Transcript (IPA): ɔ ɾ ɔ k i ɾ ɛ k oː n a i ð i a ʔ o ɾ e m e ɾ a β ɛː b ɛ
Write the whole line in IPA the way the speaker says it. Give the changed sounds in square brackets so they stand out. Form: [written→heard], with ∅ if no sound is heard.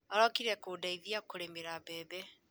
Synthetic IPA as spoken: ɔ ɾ ɔ k i ɾ ɛ k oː [n→d] a i ð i a [ʔ→k] o ɾ e m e ɾ a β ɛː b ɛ